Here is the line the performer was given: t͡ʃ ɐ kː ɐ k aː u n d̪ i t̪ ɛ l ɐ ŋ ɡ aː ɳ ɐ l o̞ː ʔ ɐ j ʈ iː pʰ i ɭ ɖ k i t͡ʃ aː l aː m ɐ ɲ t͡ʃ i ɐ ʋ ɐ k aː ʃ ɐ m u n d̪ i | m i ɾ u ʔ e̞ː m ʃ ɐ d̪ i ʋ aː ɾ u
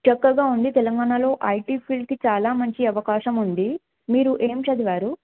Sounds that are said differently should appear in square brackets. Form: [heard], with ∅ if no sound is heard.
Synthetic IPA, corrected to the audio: t͡ʃ ɐ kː ɐ [ɡ] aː u n d̪ i t̪ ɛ l ɐ ŋ ɡ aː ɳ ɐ l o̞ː ʔ ɐ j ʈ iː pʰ i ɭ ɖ k i t͡ʃ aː l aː m ɐ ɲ t͡ʃ i ɐ ʋ ɐ k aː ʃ ɐ m u n d̪ i | m [iː] ɾ u ʔ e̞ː m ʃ ɐ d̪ i ʋ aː ɾ u